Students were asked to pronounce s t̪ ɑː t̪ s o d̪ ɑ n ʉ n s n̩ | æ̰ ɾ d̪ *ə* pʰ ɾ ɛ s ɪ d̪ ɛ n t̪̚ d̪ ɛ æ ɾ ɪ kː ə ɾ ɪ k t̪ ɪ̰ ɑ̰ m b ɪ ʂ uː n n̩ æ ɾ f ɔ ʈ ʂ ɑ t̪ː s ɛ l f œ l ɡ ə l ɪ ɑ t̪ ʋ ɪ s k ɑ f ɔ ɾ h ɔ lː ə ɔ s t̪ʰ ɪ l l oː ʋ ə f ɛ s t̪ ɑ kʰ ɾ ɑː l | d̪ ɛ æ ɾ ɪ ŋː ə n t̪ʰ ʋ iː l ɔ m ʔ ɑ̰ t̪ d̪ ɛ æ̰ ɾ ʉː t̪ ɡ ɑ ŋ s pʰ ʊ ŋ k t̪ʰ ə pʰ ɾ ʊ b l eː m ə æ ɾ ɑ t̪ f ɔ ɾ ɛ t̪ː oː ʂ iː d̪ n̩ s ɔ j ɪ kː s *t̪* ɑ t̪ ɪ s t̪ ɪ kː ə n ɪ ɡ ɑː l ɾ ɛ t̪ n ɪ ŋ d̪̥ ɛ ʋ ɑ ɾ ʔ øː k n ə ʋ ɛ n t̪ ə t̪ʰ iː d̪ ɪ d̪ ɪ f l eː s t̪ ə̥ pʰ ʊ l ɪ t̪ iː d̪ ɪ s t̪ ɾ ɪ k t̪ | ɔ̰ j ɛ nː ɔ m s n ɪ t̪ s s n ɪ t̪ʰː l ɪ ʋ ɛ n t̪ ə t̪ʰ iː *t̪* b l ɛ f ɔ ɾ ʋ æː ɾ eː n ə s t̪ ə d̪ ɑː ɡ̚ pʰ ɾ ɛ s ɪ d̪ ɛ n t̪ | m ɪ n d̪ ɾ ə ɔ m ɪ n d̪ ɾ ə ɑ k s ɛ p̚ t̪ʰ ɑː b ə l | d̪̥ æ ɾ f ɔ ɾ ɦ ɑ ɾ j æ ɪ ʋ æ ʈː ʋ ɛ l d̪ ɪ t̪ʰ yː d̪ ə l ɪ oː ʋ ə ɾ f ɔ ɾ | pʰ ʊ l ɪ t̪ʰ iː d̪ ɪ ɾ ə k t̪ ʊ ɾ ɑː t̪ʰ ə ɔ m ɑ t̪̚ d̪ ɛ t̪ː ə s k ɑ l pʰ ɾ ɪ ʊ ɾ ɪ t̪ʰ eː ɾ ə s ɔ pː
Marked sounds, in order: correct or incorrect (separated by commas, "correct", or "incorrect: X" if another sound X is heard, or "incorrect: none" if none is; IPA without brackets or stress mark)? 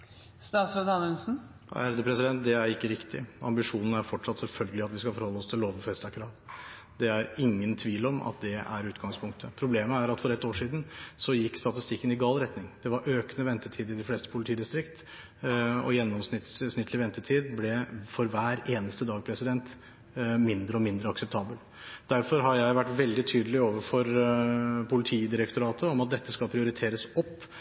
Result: correct, correct, incorrect: d̪